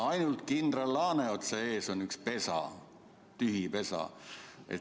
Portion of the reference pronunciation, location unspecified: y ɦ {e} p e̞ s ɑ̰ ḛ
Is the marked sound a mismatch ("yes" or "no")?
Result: yes